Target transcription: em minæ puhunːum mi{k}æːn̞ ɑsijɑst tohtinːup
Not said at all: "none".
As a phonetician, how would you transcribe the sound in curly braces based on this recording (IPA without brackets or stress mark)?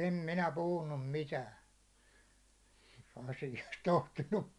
t